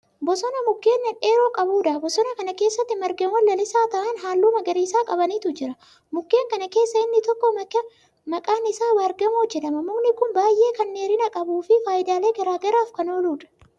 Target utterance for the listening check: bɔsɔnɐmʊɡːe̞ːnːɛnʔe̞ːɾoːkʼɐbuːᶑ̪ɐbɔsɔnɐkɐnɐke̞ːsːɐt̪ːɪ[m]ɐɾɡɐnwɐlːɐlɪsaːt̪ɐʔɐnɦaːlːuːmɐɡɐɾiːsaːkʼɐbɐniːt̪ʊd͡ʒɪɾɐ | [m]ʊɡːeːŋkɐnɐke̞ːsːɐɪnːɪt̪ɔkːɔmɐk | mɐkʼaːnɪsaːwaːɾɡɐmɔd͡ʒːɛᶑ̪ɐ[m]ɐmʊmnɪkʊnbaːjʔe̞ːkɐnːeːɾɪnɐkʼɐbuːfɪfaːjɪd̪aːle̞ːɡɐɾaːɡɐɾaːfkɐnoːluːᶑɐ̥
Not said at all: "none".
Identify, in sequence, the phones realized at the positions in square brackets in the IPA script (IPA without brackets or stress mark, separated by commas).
m, m, m